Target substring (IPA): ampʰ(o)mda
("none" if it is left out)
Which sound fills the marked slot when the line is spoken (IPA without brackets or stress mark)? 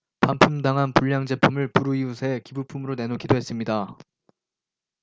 u